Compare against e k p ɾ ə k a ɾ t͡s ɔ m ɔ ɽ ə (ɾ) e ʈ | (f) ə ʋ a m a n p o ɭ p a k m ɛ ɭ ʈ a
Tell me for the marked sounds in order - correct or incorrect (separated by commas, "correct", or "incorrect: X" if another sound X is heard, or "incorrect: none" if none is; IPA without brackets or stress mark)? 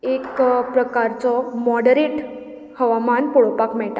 correct, incorrect: h